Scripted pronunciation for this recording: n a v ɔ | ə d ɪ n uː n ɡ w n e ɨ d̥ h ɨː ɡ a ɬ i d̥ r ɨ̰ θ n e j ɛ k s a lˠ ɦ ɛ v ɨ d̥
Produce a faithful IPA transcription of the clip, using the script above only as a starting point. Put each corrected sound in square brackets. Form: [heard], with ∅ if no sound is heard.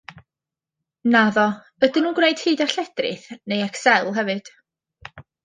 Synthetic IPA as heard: n a [ð] ɔ | ə d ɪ n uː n ɡ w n e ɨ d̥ h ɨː [d] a ɬ [ɛ] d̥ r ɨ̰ θ n e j ɛ k s [ɛ] lˠ ɦ ɛ v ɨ d̥